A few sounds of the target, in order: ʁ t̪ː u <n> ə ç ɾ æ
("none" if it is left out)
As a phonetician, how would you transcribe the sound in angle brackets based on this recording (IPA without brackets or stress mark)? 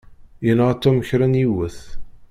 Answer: m